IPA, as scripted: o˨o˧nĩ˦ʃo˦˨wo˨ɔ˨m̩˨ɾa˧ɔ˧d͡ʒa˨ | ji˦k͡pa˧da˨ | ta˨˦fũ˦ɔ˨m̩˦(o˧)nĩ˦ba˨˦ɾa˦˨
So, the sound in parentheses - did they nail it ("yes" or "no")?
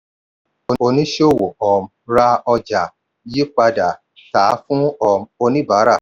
yes